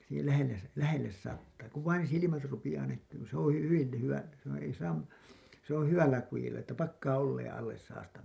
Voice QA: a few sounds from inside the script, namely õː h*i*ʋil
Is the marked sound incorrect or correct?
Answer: incorrect